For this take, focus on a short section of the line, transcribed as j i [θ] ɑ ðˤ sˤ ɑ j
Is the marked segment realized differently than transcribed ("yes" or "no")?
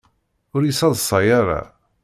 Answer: yes